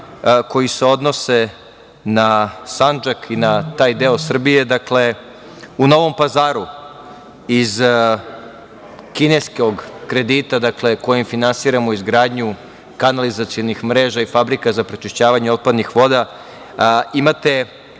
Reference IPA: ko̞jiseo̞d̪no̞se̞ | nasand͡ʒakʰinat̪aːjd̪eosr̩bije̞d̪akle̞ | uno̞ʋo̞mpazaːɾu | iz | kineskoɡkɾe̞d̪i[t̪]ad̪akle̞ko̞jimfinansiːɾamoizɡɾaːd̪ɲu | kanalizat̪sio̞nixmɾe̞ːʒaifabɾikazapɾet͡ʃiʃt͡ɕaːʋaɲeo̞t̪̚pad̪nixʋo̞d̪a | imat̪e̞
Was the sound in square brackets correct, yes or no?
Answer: yes